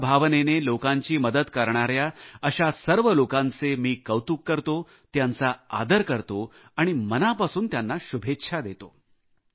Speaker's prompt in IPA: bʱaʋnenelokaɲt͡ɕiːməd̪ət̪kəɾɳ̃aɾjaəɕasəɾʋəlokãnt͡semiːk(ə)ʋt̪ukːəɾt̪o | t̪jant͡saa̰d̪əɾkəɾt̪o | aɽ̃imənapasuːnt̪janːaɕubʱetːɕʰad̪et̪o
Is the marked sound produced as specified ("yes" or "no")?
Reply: yes